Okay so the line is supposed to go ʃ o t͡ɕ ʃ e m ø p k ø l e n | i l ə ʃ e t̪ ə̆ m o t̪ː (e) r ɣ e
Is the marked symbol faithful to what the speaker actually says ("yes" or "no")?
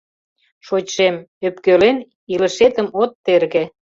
yes